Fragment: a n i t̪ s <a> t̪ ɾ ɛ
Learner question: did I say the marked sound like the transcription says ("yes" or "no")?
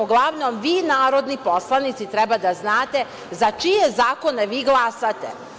no